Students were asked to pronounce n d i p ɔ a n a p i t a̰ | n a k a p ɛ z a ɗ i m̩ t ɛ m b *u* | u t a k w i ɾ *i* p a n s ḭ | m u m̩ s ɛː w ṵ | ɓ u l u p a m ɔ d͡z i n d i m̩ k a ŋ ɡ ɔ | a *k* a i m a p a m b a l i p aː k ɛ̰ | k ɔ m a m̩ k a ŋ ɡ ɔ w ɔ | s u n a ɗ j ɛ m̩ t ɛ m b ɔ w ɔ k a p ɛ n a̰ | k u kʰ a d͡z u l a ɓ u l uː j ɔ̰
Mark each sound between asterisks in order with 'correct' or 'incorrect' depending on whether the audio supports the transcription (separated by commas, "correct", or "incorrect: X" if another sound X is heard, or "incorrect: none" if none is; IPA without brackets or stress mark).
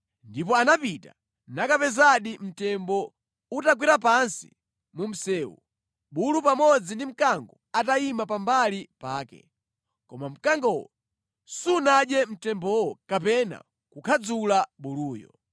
incorrect: ɔ, incorrect: a, incorrect: t